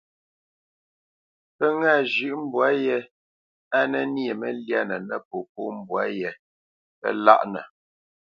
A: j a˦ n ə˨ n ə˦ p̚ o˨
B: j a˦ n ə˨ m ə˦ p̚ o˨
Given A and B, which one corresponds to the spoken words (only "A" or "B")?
A